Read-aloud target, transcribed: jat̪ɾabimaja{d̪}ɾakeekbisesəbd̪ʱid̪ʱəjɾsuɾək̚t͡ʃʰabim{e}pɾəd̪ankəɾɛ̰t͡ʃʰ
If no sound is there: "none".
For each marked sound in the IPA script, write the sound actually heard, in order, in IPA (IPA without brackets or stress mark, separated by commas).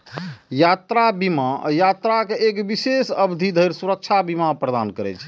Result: t̪, a